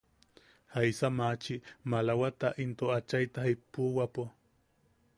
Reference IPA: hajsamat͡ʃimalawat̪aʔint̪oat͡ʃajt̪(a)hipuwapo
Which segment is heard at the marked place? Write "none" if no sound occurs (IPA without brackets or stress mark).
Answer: a